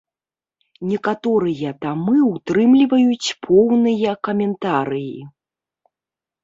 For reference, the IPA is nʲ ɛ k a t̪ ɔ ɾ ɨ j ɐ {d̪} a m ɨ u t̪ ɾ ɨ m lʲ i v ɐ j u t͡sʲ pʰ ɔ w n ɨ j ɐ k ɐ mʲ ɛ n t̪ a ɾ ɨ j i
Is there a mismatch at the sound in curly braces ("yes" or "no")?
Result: yes